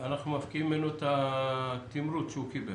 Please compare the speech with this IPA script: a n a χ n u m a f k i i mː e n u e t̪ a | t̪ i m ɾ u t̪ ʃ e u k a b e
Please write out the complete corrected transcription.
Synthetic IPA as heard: a n a χ n u m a f k i i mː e n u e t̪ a | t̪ i m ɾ u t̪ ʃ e u k i b e